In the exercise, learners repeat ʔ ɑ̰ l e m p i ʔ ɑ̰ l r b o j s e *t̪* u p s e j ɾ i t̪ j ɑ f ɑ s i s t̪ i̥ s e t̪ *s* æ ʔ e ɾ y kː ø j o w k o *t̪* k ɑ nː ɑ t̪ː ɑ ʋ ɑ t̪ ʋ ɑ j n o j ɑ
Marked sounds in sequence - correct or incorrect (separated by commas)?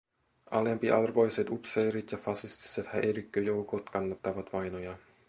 correct, incorrect, correct